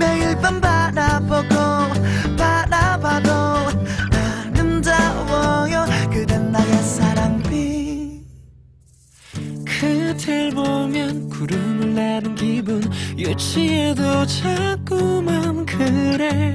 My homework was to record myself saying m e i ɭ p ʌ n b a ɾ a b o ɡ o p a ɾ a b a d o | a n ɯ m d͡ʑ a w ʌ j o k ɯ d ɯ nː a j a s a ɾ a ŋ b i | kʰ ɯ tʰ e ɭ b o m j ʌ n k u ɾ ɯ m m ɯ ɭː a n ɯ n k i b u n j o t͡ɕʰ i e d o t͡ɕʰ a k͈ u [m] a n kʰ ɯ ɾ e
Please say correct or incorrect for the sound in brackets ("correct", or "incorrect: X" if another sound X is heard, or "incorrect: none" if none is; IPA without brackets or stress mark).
correct